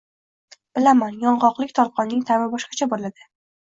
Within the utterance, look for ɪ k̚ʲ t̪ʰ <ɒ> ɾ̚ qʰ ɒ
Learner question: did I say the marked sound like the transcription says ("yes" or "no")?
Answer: yes